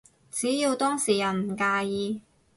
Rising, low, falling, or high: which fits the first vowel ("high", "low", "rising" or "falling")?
rising